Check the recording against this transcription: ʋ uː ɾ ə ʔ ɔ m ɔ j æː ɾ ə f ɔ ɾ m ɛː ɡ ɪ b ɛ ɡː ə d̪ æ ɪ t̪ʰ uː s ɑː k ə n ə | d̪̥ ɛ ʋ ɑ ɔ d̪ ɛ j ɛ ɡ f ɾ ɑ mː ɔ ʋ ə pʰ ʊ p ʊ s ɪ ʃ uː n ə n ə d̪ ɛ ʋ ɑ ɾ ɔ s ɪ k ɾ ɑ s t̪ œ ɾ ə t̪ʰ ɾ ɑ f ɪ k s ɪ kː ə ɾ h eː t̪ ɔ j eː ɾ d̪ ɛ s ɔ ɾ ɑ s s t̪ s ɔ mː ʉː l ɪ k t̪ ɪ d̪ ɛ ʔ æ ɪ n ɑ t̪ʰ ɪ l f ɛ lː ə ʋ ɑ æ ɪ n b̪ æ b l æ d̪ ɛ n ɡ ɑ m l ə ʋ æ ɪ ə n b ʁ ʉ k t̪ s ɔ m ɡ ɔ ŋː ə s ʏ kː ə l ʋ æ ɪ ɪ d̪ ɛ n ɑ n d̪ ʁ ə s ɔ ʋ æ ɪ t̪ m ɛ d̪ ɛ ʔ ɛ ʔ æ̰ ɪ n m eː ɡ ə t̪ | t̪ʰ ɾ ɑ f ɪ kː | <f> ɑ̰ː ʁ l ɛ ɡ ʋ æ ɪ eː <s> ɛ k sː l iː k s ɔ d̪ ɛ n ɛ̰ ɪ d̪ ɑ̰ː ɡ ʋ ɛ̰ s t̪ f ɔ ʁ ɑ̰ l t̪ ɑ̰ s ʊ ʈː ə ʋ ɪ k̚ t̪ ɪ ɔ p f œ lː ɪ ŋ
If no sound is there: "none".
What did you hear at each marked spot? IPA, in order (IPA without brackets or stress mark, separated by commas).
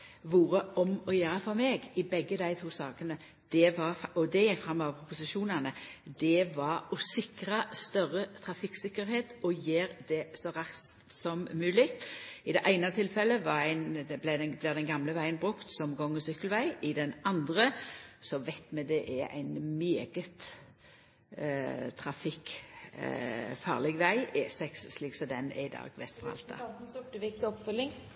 f, s